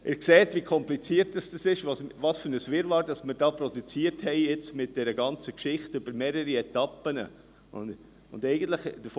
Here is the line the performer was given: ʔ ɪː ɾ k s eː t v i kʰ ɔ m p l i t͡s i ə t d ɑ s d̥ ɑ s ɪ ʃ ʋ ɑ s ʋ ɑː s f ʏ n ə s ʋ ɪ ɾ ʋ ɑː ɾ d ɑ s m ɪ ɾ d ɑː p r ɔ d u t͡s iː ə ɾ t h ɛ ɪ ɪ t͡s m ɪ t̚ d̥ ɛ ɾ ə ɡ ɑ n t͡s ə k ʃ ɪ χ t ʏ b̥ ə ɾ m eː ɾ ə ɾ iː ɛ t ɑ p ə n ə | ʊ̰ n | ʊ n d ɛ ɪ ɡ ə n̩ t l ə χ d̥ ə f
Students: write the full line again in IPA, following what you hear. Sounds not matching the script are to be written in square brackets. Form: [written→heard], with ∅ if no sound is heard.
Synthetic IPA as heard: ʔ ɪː ɾ k s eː t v i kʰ ɔ m p l i t͡s i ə t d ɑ s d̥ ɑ s ɪ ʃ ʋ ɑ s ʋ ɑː s f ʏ n ə s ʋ ɪ ɾ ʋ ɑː ɾ d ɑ s m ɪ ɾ d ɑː p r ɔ d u t͡s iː ə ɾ t h ɛ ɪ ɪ t͡s m ɪ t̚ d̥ ɛ ɾ ə ɡ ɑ n t͡s ə k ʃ ɪ χ t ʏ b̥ ə ɾ m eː ɾ ə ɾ [iː→i] ɛ t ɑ p ə n ə | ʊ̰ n | ʊ n d ɛ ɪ ɡ ə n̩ t l ə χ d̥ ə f